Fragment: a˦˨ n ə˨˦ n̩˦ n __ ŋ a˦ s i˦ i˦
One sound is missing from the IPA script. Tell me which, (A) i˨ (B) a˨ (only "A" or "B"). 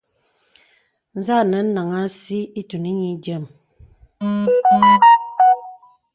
B